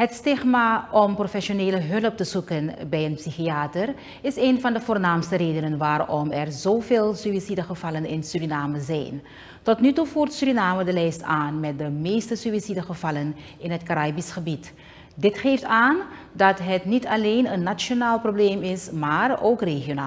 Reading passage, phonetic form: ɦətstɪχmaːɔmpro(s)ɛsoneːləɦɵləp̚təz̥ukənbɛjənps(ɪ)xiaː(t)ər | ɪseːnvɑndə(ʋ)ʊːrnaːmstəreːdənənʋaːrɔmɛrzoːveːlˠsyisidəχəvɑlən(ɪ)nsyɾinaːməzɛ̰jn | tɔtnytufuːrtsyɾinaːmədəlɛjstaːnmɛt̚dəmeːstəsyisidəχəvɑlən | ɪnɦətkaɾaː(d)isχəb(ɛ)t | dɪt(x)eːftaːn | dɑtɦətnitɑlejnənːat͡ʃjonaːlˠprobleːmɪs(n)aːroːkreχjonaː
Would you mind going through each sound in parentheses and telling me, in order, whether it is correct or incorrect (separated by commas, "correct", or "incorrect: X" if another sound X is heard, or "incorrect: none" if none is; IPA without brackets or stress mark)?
incorrect: f, incorrect: i, correct, incorrect: v, correct, incorrect: b, incorrect: i, incorrect: χ, incorrect: m